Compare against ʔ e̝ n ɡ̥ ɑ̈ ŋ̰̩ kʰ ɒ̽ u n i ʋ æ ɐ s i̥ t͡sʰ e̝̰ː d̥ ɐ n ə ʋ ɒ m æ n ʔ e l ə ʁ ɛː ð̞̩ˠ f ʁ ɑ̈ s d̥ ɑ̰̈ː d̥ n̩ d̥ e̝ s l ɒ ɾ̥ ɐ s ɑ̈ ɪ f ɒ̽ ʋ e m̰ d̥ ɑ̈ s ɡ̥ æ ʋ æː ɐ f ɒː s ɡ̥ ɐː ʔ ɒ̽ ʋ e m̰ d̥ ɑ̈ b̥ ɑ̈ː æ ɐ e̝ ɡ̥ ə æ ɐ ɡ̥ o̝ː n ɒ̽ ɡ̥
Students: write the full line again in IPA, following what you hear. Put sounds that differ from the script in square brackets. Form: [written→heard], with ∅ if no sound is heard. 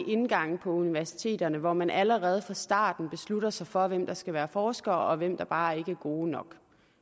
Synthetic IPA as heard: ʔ e̝ n ɡ̥ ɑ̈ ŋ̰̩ [kʰ→pʰ] ɒ̽ u n i ʋ æ ɐ s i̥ t͡sʰ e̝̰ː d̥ ɐ n ə ʋ ɒ m æ n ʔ [e→æ] l ə ʁ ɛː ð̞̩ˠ f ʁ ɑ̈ s d̥ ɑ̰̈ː d̥ n̩ [d̥→b̥] e̝ s l [ɒ→u] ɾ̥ ɐ s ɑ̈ ɪ f ɒ̽ ʋ e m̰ d̥ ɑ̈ s ɡ̥ æ ʋ æː ɐ f ɒː s ɡ̥ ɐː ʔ ɒ̽ ʋ e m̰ d̥ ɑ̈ b̥ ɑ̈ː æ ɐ e̝ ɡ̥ ə æ ɐ ɡ̥ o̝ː n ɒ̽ ɡ̥